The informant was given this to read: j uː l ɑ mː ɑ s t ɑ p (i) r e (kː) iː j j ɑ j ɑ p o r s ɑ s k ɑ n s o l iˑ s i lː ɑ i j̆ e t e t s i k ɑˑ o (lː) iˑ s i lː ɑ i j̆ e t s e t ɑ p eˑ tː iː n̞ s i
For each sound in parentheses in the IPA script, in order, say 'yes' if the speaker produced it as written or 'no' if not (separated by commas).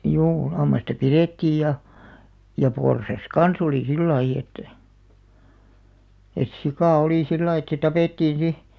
yes, no, no